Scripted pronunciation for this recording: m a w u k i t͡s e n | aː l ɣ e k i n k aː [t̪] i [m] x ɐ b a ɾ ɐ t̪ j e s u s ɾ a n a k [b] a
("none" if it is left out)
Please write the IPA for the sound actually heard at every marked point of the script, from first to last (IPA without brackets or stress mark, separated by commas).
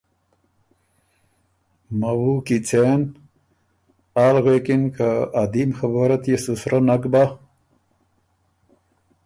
d̪, m, b